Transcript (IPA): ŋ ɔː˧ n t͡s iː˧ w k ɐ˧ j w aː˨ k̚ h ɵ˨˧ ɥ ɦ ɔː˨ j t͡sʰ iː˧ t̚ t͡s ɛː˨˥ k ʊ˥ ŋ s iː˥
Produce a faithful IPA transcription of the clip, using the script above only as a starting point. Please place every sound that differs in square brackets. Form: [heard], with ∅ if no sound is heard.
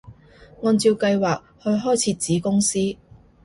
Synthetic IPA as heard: ŋ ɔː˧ n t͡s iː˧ w k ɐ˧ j w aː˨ k̚ h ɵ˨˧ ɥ ɦ [ɔː˥] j t͡sʰ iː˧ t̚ t͡s [iː˨˥] k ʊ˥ ŋ s iː˥